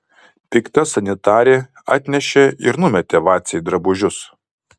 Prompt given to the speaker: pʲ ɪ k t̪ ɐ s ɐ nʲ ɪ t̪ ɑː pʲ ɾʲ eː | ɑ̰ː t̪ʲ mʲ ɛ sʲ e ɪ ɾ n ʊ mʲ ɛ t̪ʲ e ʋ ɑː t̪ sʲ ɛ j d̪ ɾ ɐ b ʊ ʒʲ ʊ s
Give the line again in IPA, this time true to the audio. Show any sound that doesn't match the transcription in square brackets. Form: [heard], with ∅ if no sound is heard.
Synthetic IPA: pʲ ɪ k t̪ ɐ s ɐ nʲ ɪ t̪ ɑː [∅] ɾʲ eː | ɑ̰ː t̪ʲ [nʲ] ɛ [ʃʲ] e ɪ ɾ n ʊ mʲ ɛ t̪ʲ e ʋ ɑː t̪ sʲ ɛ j d̪ ɾ ɐ b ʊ ʒʲ ʊ s